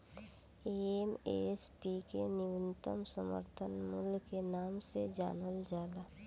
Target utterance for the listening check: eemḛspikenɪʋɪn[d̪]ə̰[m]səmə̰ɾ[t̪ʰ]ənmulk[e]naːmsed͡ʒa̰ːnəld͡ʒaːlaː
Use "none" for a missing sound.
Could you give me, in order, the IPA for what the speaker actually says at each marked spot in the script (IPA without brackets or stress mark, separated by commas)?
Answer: t̪, m, t̪ʰ, e